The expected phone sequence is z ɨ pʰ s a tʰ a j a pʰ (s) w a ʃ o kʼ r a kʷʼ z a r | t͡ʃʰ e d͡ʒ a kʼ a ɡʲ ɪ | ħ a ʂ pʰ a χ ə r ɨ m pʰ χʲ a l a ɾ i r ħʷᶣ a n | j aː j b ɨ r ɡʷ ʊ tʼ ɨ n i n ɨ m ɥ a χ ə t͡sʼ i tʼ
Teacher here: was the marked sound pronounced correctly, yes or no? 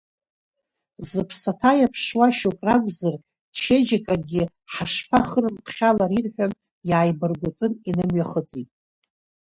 no